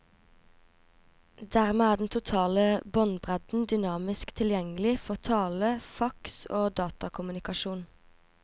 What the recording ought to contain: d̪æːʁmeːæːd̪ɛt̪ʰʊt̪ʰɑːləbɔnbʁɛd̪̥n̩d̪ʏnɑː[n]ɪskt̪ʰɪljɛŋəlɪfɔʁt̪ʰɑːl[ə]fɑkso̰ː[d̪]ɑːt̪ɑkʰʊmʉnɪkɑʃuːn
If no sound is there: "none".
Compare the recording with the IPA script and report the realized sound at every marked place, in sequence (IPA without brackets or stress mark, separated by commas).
m, ə, d̪